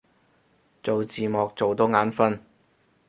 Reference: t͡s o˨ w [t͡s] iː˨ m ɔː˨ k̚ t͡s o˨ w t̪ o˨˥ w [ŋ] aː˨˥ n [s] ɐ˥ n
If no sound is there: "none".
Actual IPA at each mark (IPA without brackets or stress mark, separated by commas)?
t͡s, ŋ, f